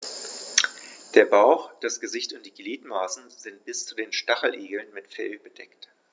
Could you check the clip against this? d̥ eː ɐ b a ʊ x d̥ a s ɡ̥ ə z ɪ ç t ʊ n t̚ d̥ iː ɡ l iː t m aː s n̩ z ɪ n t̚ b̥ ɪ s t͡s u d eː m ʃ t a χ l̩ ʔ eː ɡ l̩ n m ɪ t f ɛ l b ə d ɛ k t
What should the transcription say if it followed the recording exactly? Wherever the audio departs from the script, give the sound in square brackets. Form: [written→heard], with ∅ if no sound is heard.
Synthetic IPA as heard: d̥ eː ɐ b a ʊ x d̥ a s ɡ̥ ə z ɪ ç t ʊ n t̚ d̥ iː ɡ l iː t m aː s n̩ z ɪ n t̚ b̥ ɪ s t͡s u d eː [m→n] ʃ t a χ l̩ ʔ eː ɡ l̩ n m ɪ t f ɛ l b ə d ɛ k t

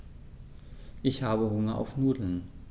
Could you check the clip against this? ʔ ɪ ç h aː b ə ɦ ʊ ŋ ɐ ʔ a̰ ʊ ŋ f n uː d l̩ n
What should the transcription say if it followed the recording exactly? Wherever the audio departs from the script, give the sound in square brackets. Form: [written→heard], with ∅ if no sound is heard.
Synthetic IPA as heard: ʔ ɪ ç h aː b ə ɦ ʊ ŋ ɐ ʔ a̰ ʊ [ŋ→∅] f n uː d l̩ n

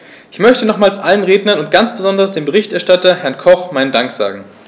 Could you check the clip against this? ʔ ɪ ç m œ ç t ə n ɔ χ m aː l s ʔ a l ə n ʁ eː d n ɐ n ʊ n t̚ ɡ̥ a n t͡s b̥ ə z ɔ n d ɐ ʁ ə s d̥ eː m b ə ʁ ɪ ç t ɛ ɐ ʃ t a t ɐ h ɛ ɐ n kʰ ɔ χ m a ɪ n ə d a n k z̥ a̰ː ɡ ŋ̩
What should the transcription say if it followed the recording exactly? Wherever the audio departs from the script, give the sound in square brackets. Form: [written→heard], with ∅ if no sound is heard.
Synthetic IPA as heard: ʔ ɪ ç m œ ç t ə n ɔ χ m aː l s ʔ a l ə n ʁ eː d n ɐ n ʊ n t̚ ɡ̥ a n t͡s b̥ ə z ɔ n d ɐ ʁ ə s d̥ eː m b ə ʁ ɪ ç t ɛ ɐ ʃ t a t ɐ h ɛ ɐ n kʰ ɔ χ m a ɪ n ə d a [n→ŋ] k z̥ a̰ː ɡ ŋ̩

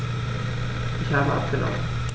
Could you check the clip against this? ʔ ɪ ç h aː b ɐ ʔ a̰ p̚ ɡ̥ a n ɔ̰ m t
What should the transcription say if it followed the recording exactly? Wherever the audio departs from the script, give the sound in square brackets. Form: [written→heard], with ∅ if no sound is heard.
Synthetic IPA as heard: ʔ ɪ ç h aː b [ɐ→ə] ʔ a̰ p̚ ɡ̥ [a→ə] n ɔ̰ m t

